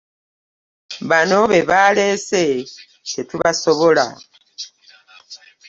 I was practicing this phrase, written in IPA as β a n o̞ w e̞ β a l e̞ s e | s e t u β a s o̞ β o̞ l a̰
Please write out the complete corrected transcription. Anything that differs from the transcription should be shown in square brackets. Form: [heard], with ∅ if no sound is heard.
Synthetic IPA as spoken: β a n o̞ [β] e̞ β a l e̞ s e | s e t u β a s o̞ β o̞ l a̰